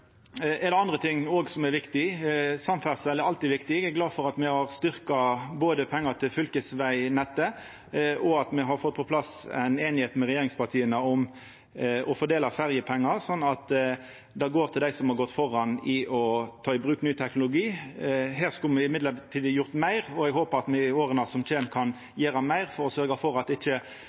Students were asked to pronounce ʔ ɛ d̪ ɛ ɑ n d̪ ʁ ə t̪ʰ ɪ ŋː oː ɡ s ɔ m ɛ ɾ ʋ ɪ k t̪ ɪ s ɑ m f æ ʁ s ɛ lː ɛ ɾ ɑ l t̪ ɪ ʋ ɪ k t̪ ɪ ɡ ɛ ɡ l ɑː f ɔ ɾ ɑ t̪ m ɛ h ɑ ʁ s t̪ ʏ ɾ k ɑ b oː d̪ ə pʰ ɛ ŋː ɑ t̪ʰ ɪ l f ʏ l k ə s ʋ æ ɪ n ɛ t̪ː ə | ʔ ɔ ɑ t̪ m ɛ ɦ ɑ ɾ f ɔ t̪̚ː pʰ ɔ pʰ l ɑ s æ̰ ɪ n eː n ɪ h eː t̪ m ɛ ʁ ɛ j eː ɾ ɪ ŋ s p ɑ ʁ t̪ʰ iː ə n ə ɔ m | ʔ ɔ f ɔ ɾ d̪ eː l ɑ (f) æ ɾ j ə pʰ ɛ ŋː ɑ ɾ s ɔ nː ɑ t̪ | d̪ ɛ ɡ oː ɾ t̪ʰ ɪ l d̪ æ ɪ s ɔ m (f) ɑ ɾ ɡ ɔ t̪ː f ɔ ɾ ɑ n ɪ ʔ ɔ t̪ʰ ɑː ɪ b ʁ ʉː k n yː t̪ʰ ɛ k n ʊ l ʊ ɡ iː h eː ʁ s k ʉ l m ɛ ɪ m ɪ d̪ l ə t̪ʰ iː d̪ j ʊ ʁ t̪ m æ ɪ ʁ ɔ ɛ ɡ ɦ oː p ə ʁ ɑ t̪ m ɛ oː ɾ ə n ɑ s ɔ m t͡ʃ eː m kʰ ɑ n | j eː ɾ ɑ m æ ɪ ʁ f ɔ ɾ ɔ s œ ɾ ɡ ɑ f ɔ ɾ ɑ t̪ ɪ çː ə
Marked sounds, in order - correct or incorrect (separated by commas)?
correct, incorrect